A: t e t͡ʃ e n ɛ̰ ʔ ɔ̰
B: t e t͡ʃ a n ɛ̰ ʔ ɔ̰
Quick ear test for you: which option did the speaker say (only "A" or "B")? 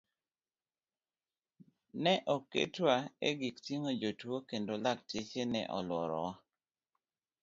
A